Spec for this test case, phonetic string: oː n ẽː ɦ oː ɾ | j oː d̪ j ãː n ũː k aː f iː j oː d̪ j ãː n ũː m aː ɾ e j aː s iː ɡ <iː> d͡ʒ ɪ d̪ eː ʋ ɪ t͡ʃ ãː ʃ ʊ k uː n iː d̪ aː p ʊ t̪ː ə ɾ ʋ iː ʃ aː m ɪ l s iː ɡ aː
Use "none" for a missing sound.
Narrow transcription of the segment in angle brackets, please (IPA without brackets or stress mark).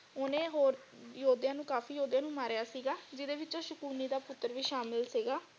aː